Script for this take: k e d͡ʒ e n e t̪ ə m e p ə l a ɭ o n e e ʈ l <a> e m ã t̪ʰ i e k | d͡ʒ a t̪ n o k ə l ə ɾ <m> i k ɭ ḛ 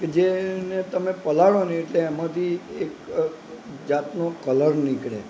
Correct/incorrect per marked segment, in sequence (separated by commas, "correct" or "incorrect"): incorrect, incorrect